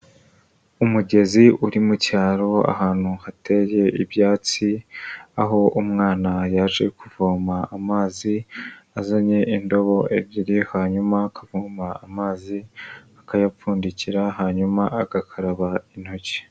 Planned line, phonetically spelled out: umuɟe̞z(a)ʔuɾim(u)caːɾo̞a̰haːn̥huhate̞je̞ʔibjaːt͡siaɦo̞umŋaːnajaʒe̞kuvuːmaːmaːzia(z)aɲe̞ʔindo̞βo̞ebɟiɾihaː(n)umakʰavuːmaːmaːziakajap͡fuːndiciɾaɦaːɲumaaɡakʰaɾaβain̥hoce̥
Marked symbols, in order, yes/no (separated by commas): no, yes, yes, no